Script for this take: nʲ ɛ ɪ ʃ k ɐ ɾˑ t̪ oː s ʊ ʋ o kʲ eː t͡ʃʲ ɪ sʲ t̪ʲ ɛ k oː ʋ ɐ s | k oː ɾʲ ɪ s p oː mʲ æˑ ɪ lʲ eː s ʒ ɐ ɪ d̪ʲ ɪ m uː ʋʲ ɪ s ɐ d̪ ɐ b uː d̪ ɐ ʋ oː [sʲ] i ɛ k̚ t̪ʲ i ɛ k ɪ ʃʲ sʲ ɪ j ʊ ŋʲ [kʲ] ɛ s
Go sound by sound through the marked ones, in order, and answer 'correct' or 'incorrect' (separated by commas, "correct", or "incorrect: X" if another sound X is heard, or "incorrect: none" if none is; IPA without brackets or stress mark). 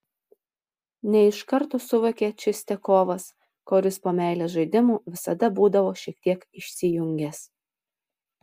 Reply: incorrect: ʃʲ, incorrect: ɡʲ